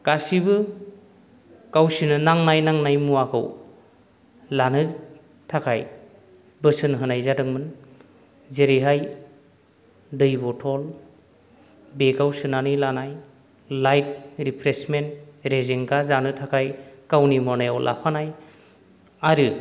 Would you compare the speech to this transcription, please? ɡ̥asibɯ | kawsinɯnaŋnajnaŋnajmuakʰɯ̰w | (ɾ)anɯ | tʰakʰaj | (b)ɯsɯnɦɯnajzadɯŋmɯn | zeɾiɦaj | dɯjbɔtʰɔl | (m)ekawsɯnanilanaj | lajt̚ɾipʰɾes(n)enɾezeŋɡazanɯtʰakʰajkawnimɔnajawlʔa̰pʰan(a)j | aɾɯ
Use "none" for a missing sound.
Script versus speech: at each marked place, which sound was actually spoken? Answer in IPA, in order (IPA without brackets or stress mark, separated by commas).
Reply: l, b, b, m, a